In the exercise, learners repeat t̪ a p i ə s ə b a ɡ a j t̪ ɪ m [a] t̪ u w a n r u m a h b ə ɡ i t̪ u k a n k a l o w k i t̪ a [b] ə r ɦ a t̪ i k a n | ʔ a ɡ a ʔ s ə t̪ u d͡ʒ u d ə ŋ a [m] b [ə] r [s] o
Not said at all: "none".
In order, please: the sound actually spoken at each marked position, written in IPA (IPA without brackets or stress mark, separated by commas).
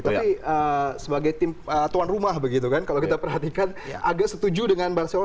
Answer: ə, p, n, a, s